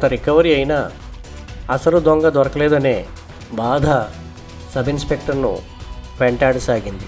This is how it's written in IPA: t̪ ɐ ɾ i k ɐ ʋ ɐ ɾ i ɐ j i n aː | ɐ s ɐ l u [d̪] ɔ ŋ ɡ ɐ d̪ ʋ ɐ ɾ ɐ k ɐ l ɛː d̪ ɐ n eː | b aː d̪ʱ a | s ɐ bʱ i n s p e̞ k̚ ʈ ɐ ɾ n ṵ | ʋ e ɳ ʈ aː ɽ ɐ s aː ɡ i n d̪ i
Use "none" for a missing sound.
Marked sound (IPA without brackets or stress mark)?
d̪